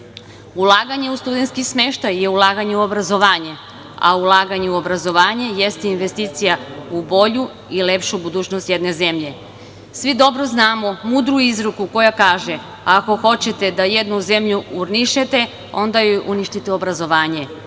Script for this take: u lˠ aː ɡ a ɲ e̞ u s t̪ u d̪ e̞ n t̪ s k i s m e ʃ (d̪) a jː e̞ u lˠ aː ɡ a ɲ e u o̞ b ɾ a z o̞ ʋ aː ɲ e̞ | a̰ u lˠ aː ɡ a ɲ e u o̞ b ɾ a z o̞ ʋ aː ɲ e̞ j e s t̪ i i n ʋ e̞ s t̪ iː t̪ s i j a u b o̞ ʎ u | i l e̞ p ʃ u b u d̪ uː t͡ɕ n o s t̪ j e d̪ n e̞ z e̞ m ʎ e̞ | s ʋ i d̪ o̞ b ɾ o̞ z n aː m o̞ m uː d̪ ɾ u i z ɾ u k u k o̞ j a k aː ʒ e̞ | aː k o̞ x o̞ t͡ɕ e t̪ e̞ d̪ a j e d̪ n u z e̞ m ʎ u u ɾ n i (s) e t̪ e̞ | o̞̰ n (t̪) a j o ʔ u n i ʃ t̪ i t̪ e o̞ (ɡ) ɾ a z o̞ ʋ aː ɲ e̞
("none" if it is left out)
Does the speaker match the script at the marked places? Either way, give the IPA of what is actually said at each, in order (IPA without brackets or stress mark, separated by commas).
t̪, ʃ, d̪, b